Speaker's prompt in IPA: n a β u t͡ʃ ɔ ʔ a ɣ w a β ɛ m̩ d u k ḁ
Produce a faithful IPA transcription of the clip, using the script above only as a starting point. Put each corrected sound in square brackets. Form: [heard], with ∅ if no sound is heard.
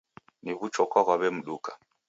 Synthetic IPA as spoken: n [i] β u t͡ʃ ɔ [k] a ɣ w a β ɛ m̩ [ɗ] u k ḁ